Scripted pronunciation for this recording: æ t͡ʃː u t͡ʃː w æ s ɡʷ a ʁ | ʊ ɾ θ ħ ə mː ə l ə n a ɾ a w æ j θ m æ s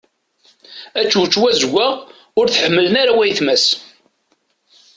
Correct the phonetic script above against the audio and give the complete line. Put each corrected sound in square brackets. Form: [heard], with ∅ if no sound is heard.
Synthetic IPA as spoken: æ t͡ʃː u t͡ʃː w æ [z] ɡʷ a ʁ | ʊ ɾ θ ħ ə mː ə l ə n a ɾ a w æ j θ m æ s